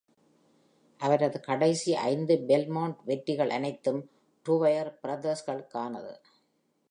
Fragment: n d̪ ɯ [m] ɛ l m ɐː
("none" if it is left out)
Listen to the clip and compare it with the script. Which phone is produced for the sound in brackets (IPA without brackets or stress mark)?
b